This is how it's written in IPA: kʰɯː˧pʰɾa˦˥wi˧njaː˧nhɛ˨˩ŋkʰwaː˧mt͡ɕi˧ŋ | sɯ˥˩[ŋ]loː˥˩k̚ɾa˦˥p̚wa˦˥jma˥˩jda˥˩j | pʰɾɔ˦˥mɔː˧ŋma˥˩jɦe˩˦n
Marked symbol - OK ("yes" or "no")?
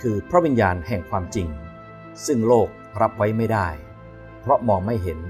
yes